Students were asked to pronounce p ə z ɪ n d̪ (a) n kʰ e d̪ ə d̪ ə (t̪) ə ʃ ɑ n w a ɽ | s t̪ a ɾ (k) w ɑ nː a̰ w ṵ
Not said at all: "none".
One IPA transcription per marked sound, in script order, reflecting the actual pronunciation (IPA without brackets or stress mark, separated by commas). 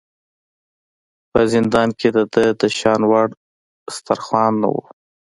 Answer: ɑ, d̪, x